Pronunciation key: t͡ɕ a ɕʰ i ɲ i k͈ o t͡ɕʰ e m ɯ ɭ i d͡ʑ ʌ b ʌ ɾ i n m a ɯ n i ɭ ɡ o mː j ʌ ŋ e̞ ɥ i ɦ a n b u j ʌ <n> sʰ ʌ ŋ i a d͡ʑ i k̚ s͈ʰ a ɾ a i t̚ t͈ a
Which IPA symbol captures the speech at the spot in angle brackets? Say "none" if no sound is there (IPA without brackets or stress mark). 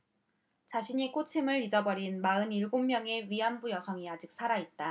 none